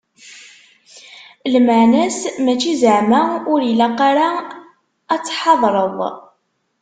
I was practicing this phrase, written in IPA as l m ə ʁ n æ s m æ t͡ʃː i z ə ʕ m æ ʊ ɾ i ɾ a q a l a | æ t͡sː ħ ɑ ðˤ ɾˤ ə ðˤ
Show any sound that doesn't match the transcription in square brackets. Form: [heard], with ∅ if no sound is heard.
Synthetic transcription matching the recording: l m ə [ʕ] n æ s m æ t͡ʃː i z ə ʕ m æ ʊ ɾ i [l] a q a [ɾ] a | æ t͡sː ħ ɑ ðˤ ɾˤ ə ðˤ